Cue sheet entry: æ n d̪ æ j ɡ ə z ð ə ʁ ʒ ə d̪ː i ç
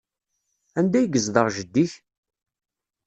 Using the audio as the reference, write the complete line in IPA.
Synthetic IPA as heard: æ n d̪ æ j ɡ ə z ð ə ʁ ʒ ə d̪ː i ç